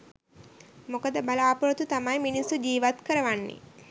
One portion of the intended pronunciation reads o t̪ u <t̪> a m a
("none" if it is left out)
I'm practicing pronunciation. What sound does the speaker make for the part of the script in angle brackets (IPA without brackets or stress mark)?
t̪